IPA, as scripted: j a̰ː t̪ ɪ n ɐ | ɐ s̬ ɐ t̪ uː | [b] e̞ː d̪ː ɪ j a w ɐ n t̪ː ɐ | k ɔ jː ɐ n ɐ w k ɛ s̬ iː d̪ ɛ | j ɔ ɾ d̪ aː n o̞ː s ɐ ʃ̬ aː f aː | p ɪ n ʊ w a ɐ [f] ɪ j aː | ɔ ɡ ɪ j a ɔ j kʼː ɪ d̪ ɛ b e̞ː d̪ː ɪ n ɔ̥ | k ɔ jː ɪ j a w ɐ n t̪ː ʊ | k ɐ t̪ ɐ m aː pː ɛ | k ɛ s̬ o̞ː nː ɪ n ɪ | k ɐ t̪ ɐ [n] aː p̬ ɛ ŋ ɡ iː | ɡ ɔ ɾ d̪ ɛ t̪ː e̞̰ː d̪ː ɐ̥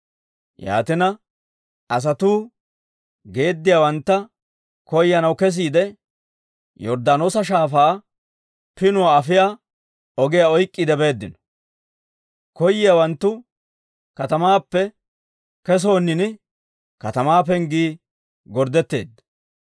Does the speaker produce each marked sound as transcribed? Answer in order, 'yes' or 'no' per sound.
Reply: no, yes, no

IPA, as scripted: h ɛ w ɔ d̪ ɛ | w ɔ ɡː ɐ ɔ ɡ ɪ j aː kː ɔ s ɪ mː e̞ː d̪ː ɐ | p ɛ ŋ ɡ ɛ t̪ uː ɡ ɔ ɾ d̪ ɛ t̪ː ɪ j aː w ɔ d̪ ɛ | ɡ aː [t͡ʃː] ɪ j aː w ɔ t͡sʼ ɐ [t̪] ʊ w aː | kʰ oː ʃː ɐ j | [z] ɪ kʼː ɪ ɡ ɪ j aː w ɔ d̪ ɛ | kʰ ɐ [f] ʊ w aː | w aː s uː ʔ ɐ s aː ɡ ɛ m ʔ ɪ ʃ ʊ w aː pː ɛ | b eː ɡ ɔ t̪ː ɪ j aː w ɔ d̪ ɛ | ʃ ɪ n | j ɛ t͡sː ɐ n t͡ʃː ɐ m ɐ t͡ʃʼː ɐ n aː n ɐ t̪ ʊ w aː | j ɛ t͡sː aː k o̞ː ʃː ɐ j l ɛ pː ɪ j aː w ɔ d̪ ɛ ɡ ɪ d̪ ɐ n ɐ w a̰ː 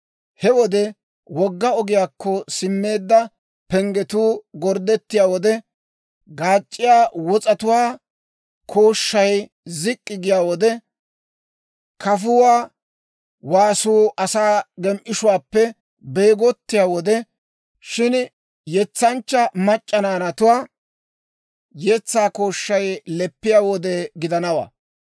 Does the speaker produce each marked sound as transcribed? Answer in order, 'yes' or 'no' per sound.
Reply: no, yes, yes, yes

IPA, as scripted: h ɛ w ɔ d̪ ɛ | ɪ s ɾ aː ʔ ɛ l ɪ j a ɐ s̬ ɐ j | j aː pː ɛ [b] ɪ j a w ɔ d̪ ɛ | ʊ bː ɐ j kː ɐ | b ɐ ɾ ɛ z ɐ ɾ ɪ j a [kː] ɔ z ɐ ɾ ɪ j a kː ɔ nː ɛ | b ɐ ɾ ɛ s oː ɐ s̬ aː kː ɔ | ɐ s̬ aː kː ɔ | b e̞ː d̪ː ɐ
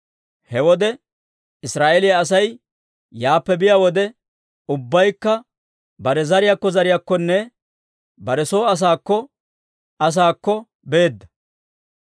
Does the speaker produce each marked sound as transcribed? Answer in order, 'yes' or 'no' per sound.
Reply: yes, yes

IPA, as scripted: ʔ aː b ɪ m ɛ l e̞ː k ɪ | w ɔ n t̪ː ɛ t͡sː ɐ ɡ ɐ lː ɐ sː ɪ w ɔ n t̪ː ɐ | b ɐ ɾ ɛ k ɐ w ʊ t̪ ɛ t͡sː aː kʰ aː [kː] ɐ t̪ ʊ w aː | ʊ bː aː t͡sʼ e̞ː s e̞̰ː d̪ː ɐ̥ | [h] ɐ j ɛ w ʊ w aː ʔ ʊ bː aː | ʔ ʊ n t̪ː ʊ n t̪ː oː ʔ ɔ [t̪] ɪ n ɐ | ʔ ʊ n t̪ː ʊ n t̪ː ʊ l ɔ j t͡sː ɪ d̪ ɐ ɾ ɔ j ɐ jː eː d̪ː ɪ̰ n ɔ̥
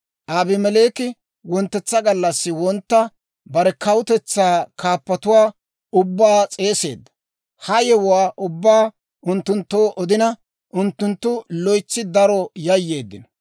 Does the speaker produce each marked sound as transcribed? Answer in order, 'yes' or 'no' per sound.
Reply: no, yes, no

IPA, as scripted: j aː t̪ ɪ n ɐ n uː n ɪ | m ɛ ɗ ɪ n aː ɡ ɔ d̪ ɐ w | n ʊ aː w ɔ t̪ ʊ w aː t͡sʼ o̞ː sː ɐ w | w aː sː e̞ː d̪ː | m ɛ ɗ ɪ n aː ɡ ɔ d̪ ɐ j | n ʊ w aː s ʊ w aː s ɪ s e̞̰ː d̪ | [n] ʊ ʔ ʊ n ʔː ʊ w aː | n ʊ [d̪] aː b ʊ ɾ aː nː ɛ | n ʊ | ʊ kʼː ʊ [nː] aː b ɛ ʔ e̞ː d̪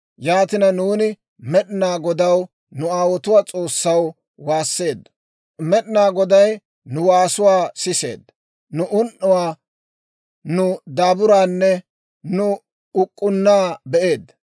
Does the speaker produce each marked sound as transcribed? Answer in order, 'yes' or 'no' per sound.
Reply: yes, yes, yes

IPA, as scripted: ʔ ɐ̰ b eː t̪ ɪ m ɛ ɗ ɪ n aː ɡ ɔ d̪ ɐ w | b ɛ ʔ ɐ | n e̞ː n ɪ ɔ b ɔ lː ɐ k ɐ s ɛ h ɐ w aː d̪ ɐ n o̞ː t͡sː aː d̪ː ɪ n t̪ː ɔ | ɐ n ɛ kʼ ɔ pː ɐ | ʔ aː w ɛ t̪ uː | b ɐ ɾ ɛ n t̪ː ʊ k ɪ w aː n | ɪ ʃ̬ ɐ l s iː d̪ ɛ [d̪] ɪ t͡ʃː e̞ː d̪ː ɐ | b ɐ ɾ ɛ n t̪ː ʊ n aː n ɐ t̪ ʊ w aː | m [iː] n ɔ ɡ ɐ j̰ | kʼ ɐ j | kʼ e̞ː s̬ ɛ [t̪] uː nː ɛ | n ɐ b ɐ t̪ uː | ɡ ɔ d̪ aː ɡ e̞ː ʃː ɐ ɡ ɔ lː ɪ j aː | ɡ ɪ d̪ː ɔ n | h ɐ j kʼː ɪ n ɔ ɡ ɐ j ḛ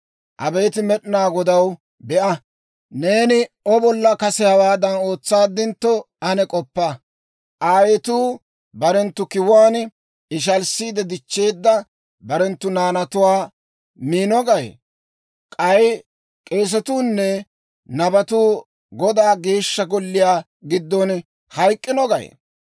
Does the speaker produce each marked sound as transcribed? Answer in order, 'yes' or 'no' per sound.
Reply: yes, yes, yes

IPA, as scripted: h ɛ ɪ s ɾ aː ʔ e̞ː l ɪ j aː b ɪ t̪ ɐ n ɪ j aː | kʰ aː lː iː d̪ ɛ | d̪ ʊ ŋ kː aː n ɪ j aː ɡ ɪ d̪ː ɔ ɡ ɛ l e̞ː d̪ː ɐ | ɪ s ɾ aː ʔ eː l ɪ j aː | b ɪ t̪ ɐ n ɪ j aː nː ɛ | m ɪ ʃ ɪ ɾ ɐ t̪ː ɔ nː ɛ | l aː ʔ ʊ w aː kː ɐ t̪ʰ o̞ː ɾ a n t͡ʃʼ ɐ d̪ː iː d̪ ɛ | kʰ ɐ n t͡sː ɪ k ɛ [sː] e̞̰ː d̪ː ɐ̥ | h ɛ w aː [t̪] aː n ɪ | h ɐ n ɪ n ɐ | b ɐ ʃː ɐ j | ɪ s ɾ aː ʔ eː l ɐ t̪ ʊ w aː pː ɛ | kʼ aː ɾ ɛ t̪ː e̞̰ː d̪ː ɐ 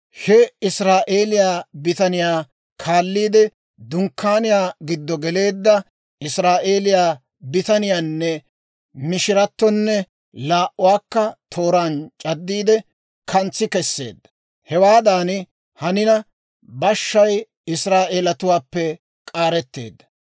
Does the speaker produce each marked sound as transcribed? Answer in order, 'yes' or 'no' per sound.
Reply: yes, no

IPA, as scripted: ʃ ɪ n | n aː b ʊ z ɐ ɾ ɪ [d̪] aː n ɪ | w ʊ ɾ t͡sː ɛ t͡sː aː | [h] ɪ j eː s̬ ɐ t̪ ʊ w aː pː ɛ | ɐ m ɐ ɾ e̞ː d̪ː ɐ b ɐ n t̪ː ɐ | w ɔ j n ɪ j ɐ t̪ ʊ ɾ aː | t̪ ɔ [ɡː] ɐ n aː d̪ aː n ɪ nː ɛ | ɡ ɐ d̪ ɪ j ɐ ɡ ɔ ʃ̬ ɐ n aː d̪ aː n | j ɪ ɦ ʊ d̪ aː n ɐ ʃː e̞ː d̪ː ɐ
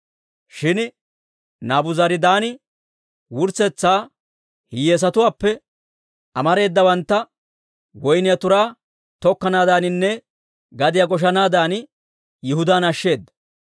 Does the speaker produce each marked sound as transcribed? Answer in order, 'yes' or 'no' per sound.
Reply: yes, yes, no

